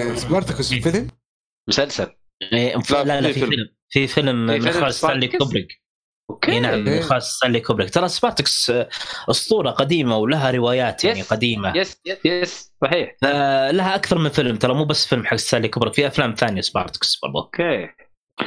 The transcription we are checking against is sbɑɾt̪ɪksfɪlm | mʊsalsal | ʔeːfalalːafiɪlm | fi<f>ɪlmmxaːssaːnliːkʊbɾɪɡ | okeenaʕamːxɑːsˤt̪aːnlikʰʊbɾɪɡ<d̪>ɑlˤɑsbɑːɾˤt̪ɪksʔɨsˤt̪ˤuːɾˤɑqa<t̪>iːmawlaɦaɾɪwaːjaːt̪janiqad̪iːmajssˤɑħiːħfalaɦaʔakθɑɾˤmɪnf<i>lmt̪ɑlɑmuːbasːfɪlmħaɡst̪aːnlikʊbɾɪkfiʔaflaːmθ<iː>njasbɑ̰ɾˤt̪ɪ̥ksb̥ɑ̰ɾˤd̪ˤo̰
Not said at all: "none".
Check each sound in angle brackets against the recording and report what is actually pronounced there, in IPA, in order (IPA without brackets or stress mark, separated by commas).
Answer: f, t̪, d̪, ɪ, aː